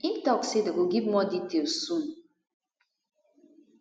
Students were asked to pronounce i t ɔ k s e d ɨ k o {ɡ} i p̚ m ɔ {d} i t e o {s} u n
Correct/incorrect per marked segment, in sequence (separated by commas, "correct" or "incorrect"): correct, correct, correct